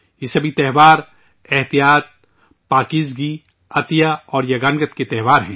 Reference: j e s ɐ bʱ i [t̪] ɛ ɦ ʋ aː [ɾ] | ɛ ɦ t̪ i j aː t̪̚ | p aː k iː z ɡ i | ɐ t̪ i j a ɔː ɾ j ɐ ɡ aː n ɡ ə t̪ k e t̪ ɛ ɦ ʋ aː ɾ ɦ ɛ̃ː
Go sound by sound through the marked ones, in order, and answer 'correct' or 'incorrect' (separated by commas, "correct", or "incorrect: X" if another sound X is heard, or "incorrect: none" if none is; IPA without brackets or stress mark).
correct, correct